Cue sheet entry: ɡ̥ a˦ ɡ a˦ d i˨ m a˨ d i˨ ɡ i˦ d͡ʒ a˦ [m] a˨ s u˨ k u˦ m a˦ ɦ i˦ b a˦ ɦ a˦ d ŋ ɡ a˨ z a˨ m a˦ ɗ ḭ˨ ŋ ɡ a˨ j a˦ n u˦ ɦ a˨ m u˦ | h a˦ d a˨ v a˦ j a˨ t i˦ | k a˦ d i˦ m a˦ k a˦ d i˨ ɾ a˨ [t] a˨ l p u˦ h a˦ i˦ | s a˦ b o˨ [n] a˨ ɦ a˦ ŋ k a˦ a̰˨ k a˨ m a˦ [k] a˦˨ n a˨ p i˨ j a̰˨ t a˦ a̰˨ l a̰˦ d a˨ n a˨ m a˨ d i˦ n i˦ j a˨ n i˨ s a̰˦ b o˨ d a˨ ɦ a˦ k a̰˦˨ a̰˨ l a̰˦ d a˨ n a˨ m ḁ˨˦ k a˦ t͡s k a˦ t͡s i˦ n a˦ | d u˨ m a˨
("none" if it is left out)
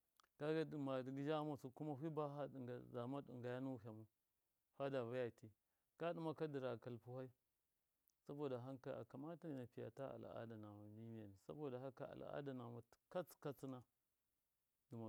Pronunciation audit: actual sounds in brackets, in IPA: m, k, d, t

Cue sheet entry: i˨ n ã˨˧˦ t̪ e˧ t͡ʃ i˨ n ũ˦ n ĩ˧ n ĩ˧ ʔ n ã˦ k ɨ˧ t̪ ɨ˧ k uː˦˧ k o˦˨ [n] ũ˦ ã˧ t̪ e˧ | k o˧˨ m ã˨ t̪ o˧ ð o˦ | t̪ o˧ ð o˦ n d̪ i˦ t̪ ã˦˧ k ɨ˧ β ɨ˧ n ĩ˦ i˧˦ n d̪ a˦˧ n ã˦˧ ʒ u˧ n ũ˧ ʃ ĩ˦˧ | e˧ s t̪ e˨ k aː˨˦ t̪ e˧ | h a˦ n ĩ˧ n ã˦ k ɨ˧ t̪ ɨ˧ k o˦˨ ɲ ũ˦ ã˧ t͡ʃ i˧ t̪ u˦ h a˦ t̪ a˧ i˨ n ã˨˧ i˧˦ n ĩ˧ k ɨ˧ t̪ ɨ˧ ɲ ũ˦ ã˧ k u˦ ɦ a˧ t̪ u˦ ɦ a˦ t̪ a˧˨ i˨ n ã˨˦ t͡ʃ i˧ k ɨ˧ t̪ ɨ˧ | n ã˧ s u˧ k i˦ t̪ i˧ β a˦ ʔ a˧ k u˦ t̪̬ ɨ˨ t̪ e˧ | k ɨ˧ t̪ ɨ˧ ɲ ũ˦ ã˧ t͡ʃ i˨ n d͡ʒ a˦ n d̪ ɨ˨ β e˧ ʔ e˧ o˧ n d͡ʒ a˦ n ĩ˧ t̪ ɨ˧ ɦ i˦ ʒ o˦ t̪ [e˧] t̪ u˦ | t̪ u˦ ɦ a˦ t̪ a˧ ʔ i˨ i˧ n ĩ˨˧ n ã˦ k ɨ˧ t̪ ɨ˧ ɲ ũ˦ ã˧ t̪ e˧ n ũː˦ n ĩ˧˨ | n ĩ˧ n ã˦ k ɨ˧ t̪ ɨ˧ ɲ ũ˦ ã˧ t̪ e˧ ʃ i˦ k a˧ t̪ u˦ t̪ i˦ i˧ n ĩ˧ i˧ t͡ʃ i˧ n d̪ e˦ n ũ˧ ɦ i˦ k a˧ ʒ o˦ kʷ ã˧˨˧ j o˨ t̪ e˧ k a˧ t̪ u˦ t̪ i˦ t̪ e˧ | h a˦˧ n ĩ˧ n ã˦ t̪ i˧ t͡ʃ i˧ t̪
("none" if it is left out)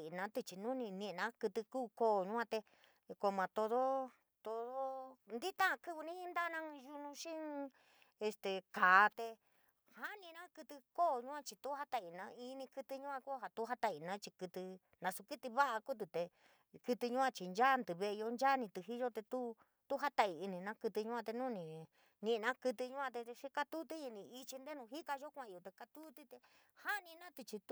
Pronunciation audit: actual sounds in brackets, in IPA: ɲ, e˧

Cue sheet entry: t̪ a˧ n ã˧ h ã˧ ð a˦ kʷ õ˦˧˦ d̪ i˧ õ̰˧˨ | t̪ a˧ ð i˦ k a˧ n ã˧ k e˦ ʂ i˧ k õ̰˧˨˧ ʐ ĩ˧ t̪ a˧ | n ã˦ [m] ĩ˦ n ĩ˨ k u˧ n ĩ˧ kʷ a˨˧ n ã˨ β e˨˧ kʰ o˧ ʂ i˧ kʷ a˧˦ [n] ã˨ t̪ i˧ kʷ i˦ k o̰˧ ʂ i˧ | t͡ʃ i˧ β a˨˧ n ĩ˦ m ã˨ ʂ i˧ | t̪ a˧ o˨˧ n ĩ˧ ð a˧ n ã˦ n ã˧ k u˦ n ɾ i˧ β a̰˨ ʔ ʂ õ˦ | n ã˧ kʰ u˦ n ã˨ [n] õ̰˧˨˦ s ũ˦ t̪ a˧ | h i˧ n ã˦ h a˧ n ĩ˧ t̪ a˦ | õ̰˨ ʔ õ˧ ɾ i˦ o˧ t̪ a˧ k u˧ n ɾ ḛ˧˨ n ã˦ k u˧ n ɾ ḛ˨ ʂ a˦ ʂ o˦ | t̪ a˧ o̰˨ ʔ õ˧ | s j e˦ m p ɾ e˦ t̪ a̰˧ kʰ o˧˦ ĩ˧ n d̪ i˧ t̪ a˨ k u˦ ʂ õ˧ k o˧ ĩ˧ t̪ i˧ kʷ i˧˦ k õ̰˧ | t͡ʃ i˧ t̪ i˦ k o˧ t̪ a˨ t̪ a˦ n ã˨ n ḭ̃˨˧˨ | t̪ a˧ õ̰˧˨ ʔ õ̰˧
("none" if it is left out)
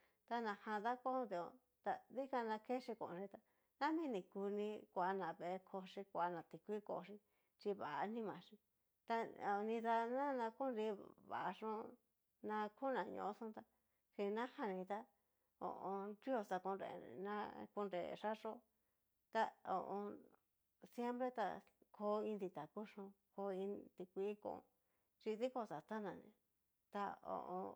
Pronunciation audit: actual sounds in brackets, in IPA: m, n, ɲ

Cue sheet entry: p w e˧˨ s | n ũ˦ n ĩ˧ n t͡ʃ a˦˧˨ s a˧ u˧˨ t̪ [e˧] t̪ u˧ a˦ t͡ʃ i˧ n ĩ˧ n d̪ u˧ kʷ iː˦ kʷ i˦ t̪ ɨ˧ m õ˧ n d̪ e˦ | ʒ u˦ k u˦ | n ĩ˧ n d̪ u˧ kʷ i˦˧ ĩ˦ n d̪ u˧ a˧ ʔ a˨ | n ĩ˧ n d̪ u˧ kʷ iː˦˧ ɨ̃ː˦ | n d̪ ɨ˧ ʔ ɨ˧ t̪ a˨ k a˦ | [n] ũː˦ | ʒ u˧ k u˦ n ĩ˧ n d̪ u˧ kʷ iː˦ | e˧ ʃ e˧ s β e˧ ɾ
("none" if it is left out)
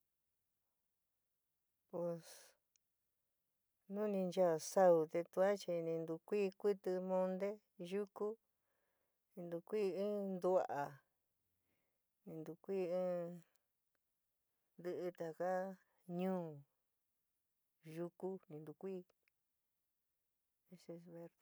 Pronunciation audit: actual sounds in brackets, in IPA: e˧, ɲ

